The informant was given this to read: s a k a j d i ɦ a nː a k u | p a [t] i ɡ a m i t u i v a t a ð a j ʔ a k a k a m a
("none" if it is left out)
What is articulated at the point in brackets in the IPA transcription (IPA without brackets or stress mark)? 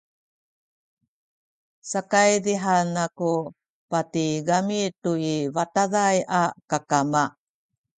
t